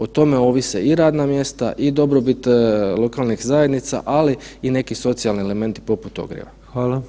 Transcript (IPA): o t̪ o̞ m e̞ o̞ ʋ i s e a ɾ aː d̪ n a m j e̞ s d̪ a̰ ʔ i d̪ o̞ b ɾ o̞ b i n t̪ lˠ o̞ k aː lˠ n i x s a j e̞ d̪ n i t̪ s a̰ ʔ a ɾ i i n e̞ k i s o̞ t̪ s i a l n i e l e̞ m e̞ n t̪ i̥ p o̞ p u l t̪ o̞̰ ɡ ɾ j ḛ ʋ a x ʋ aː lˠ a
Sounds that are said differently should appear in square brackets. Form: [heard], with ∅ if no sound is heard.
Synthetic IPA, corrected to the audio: o t̪ o̞ m e̞ o̞ ʋ i s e [i] ɾ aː d̪ n a m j e̞ s [t̪] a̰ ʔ i d̪ o̞ b ɾ o̞ b i [∅] t̪ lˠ o̞ k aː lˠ n i x [z] a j e̞ d̪ n i t̪ s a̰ ʔ a [l] i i n e̞ k i s o̞ t̪ s i a l n i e l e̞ m e̞ n t̪ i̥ p o̞ p u [∅] t̪ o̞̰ ɡ ɾ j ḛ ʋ a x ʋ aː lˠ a